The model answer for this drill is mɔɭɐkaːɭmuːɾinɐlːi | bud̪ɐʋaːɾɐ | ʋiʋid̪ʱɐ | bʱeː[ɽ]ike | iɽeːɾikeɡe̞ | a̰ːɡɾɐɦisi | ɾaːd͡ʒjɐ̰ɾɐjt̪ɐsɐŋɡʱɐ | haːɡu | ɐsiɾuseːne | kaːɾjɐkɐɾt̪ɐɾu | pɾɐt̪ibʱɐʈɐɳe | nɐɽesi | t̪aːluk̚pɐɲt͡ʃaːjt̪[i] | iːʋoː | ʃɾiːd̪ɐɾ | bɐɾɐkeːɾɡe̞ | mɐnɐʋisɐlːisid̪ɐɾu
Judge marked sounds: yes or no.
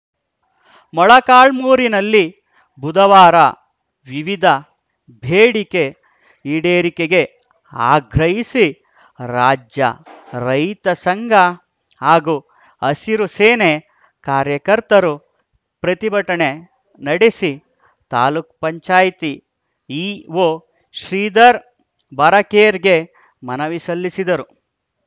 yes, yes

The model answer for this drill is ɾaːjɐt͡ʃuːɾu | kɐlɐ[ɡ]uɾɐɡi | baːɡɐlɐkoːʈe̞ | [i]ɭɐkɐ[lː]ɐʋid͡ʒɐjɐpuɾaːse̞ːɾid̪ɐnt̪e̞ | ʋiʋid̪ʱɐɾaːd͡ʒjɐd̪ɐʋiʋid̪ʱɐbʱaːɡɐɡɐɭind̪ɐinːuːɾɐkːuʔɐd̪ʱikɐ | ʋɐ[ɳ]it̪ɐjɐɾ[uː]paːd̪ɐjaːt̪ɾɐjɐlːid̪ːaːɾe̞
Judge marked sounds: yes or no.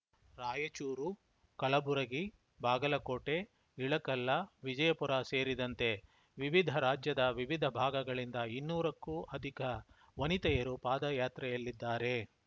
no, yes, yes, no, no

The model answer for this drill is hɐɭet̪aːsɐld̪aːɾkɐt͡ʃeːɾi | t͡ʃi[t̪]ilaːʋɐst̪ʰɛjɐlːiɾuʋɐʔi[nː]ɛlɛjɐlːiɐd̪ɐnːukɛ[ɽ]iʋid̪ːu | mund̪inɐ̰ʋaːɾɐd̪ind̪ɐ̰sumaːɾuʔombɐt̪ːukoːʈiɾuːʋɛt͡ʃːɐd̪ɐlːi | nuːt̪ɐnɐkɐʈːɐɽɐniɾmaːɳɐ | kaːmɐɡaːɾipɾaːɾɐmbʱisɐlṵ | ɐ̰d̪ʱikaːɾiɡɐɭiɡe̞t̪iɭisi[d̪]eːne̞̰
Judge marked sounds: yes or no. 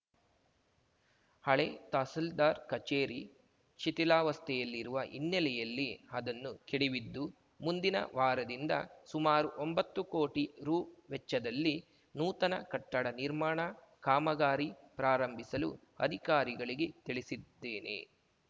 yes, yes, yes, no

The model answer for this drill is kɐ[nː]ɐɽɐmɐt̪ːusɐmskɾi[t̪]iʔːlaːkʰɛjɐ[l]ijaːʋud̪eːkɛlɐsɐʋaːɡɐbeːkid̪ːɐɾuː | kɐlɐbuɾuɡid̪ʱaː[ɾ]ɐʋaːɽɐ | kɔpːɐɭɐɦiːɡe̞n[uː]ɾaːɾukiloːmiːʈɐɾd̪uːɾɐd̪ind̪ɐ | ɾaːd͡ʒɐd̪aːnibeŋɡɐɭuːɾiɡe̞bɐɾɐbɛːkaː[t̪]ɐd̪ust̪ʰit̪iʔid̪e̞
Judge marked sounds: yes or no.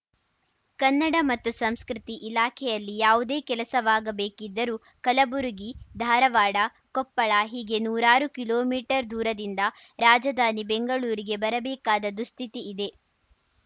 yes, yes, no, yes, yes, no

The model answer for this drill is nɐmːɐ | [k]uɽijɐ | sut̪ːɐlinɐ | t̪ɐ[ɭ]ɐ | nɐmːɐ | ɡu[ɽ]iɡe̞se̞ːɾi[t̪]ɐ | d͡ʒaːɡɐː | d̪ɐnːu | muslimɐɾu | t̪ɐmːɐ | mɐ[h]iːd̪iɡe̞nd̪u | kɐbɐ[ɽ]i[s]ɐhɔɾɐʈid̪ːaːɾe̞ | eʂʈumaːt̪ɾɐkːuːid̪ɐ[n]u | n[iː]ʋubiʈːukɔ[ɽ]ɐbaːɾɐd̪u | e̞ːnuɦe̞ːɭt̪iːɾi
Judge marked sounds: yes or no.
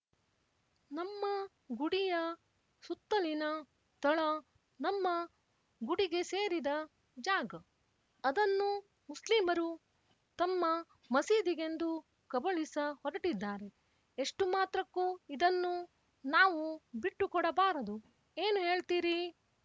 no, yes, yes, no, no, no, yes, no, no, yes

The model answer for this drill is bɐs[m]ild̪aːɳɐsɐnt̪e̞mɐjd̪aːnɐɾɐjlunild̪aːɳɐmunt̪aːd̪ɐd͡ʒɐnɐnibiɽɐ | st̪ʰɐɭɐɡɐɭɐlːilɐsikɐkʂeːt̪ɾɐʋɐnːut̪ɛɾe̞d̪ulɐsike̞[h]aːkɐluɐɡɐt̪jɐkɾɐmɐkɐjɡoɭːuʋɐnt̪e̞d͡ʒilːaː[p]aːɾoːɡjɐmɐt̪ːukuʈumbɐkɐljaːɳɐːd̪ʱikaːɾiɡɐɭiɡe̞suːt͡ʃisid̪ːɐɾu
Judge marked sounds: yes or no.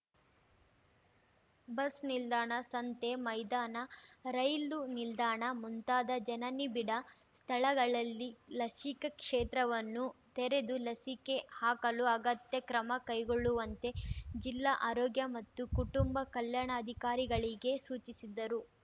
no, yes, no

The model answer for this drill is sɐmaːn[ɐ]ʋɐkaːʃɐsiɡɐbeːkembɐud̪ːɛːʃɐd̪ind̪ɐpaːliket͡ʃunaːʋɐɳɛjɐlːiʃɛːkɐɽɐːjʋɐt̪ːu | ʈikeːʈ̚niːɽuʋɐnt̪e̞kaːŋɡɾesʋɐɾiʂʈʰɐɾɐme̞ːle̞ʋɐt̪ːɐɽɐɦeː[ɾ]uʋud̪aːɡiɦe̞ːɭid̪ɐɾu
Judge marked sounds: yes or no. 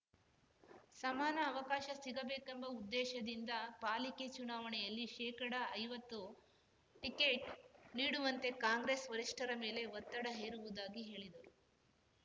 no, yes

